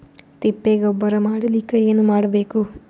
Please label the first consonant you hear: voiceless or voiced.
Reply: voiceless